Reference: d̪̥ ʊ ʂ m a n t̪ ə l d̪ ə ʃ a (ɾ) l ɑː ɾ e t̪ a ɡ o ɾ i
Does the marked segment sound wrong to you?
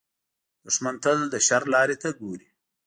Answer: no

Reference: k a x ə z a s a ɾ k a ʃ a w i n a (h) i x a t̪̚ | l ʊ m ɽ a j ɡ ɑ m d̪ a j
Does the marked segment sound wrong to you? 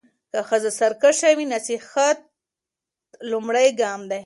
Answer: yes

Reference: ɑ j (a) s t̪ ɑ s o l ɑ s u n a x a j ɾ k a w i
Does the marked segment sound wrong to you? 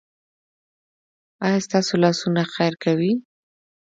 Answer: no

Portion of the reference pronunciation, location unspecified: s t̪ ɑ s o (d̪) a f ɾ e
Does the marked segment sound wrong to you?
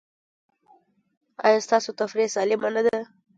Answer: yes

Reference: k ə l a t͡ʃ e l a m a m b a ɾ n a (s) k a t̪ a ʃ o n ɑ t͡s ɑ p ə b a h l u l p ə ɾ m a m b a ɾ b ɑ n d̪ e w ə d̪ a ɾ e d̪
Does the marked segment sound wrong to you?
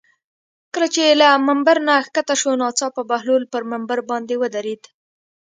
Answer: yes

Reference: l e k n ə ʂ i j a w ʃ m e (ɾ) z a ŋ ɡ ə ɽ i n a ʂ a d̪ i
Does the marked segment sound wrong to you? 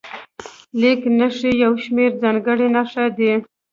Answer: no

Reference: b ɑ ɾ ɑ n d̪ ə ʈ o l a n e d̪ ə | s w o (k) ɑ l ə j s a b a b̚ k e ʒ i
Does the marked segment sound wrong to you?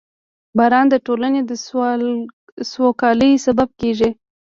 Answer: no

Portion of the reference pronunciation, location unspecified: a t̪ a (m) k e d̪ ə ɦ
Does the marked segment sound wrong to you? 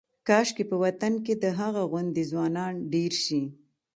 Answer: yes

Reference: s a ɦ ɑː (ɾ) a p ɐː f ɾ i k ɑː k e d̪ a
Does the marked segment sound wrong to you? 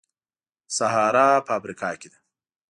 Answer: no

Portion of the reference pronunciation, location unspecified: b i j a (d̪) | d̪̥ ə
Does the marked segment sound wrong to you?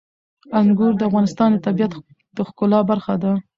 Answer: yes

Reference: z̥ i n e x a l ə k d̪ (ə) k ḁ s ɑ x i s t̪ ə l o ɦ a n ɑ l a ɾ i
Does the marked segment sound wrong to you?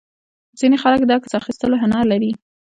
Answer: yes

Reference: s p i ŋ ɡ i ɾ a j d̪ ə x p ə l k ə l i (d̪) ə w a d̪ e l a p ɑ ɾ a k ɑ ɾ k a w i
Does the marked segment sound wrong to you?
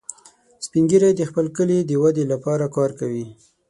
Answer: no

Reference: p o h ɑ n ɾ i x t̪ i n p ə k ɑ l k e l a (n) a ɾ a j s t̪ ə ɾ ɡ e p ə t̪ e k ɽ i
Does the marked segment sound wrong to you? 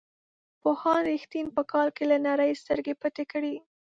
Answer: no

